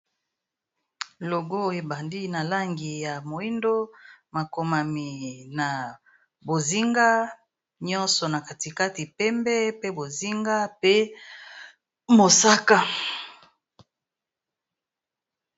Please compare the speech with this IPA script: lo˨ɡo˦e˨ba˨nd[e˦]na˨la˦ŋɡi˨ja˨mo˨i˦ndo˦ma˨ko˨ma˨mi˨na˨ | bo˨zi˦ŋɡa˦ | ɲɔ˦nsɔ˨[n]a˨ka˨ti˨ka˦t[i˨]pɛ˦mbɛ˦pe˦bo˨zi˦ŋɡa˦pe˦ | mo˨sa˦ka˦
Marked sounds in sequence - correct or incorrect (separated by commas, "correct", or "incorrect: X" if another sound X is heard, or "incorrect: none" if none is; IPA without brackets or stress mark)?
incorrect: i˦, correct, correct